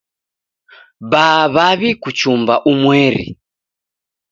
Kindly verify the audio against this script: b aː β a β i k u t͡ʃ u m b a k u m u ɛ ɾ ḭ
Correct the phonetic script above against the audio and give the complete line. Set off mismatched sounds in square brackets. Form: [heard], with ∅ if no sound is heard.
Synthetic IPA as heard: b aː β a β i k u t͡ʃ u m b a [ʔ] u m [w] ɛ ɾ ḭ